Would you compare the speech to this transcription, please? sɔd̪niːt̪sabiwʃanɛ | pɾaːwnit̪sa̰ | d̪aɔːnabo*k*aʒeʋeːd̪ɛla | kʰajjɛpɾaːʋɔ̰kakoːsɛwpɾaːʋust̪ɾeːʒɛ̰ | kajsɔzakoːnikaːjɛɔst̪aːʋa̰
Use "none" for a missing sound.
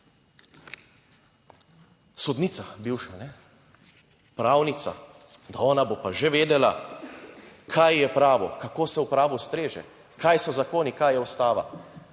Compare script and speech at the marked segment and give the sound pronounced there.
p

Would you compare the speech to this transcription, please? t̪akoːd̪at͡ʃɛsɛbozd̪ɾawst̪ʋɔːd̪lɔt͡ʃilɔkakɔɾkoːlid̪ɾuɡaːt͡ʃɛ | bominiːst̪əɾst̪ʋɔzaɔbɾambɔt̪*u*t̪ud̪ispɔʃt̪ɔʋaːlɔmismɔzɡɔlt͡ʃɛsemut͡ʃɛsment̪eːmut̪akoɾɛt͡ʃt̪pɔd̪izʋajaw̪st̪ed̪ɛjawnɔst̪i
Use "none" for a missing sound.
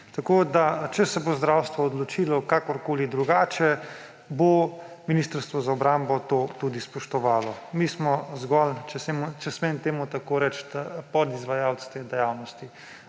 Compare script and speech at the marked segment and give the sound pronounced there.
o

